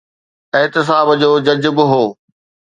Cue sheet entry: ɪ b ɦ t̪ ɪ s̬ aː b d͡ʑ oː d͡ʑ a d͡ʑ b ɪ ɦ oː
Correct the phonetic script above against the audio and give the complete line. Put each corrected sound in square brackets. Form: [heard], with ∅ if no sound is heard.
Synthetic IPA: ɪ [∅] ɦ t̪ ɪ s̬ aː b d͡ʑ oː d͡ʑ [ɐ] d͡ʑ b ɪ ɦ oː